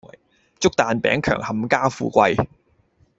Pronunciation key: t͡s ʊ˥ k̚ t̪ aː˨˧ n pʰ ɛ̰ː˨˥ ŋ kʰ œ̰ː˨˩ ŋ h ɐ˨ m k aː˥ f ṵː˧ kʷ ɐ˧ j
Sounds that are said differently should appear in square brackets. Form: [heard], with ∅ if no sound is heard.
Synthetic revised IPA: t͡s ʊ˥ k̚ t̪ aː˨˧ n [p] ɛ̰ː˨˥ ŋ kʰ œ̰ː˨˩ ŋ h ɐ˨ m k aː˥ f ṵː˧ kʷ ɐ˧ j